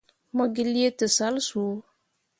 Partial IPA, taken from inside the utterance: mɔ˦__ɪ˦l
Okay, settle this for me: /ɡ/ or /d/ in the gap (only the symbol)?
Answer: ɡ